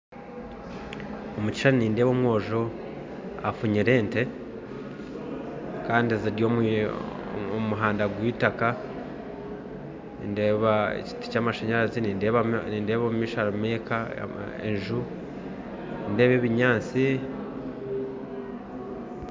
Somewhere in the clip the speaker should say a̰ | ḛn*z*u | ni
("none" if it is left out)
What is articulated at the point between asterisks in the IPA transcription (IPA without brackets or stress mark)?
ʒ